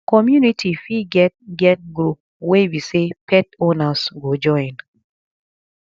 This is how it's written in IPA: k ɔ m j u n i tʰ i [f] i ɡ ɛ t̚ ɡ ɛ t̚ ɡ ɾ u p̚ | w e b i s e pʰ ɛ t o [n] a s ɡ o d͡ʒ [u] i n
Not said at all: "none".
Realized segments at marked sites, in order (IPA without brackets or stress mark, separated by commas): f, n, ɔ